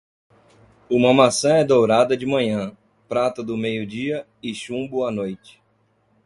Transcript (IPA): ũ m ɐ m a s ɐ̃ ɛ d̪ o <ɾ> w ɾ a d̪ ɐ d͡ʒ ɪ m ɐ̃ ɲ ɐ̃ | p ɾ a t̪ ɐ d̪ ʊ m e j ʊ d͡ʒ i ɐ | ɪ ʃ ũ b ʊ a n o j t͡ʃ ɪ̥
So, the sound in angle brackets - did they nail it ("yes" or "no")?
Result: no